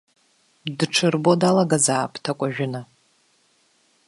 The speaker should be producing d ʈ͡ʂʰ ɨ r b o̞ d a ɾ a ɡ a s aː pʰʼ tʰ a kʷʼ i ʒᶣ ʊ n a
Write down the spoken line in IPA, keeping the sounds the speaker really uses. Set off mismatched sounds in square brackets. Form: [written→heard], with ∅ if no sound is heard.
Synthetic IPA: d ʈ͡ʂʰ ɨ r b o̞ d a [ɾ→l] a ɡ a [s→z] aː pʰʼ tʰ a kʷʼ [i→a] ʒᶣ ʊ n a